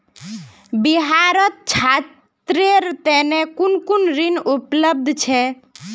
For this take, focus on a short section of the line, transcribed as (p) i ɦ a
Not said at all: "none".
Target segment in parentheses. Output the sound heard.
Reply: b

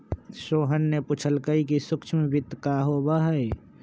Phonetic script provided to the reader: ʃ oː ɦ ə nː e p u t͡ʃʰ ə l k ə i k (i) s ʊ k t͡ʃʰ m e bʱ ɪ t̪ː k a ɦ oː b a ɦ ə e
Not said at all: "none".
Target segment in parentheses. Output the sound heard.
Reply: i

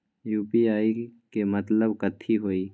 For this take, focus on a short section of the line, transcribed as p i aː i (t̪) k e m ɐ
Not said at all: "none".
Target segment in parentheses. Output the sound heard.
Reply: none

